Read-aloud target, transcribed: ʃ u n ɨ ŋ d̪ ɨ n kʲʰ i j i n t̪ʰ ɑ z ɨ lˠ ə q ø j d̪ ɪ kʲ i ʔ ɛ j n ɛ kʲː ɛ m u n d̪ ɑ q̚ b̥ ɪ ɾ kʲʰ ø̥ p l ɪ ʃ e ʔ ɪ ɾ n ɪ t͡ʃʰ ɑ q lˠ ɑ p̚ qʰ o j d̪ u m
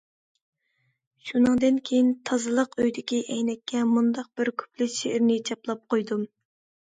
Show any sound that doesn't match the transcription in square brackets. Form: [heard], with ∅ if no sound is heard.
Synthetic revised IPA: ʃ u n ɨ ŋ d̪ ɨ n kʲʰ [e] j i n t̪ʰ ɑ z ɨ lˠ ə q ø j d̪ ɪ kʲ i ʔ ɛ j n ɛ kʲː ɛ m u n d̪ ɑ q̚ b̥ ɪ ɾ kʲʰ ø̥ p l ɪ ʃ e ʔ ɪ ɾ n ɪ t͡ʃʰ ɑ [p] lˠ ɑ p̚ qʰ o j d̪ u m